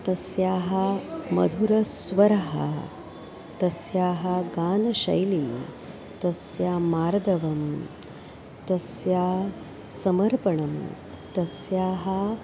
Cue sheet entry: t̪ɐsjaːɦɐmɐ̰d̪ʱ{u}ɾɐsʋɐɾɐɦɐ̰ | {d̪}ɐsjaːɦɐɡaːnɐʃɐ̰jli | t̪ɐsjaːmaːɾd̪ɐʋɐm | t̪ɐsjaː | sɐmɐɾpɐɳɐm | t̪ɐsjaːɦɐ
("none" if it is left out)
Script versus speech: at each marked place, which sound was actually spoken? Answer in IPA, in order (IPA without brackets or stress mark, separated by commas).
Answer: u, t̪